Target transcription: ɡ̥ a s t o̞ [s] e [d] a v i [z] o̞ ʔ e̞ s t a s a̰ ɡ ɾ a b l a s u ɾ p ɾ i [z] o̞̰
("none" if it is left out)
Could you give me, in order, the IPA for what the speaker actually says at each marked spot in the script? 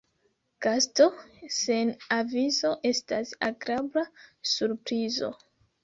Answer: s, n, z, z

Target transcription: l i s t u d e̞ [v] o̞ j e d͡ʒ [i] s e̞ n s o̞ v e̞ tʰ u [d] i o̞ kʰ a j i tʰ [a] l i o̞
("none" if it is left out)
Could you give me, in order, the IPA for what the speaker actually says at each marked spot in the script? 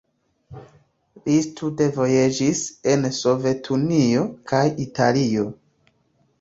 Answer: v, i, n, a

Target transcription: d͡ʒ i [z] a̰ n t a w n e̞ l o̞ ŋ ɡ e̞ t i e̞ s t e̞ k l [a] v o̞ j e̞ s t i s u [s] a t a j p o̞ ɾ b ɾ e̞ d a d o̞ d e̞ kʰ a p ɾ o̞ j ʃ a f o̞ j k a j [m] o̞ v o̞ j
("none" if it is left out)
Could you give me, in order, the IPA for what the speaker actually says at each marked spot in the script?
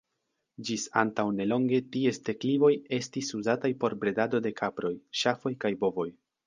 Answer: s, i, z, b

